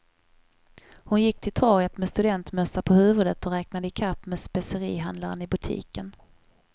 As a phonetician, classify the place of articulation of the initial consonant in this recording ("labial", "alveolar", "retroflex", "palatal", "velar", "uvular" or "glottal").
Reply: glottal